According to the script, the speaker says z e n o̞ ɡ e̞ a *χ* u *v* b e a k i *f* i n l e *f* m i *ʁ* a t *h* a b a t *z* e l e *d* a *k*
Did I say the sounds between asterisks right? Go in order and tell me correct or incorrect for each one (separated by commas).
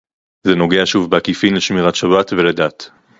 incorrect, correct, correct, incorrect, correct, incorrect, incorrect, correct, incorrect